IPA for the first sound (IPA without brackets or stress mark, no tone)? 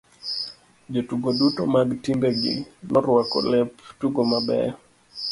d͡ʒ